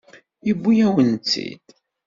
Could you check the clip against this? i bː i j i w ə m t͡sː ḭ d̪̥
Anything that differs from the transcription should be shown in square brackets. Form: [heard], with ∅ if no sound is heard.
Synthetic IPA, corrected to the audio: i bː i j [æ] w ə [n] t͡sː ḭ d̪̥